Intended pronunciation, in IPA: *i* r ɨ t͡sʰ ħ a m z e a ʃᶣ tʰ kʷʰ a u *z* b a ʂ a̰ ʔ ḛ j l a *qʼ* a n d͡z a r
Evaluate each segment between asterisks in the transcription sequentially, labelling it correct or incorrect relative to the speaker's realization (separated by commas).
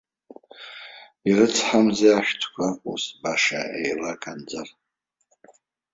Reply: correct, incorrect, incorrect